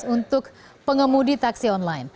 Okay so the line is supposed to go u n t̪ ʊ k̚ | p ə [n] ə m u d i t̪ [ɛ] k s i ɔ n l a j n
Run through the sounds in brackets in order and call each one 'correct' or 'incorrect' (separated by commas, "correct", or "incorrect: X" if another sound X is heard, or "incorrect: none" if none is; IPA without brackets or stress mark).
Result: incorrect: ŋ, incorrect: a